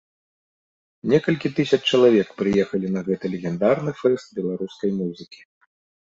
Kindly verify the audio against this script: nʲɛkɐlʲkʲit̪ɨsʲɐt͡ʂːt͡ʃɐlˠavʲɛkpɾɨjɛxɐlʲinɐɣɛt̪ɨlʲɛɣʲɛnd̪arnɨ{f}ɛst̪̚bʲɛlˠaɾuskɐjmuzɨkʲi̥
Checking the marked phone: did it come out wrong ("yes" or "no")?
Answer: no